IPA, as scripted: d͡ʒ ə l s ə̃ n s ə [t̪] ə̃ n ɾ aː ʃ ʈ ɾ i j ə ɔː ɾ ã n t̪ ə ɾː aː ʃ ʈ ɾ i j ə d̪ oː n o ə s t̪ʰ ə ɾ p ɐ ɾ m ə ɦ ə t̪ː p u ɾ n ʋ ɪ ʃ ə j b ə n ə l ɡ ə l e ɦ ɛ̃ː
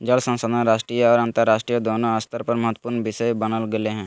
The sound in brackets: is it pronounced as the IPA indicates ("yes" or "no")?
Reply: no